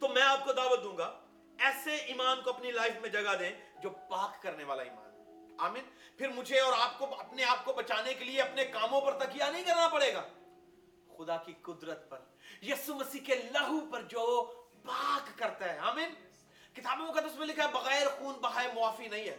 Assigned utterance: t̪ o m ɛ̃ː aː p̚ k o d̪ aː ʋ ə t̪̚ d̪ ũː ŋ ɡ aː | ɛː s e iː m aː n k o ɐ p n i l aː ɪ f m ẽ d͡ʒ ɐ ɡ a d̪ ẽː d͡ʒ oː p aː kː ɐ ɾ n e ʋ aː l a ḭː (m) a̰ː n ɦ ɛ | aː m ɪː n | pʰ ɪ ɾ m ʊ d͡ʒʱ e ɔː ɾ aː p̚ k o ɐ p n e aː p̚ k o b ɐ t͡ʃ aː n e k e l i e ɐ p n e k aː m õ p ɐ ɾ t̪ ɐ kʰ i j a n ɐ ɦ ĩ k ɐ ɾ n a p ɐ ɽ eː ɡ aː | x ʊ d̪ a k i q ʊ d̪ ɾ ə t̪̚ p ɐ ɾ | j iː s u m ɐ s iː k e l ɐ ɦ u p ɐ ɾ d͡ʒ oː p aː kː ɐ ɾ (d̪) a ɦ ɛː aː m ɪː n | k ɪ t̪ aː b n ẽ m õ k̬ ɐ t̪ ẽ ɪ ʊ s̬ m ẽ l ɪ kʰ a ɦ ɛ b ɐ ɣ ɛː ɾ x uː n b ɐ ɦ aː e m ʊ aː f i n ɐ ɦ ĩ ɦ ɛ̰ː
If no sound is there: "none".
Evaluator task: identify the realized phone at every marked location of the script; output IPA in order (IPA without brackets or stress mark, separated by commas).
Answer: m, t̪